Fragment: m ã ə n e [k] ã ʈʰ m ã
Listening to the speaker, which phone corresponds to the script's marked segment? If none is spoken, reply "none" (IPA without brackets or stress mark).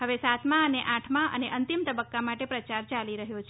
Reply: ʔ